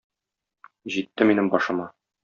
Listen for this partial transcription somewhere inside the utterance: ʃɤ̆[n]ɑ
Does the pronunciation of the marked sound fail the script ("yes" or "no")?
yes